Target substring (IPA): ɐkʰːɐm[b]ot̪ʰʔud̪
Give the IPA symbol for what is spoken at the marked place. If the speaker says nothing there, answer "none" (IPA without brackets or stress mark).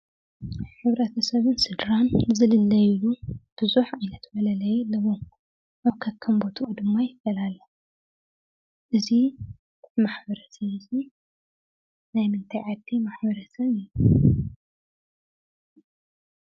b